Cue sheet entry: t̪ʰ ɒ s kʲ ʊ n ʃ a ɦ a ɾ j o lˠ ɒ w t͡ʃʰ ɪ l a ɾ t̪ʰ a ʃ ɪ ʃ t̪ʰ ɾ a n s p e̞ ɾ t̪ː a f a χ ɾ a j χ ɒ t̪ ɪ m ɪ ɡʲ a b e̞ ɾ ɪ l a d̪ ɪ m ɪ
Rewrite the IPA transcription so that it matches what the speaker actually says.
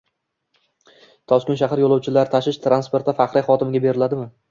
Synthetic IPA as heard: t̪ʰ ɒ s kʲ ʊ n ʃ a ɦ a ɾ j o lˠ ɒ w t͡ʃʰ ɪ l a ɾ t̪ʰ a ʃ ɪ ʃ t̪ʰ ɾ a n s p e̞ ɾ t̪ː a f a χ ɾ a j χ ɒ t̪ ɪ m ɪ ɡʲ a b e̞ ɾ ɪ l a d̪ ɪ m ɪ